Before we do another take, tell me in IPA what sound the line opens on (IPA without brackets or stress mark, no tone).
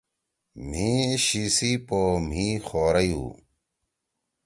m̤